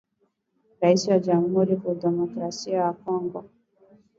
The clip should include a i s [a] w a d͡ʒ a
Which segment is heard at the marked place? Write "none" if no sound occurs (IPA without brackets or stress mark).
i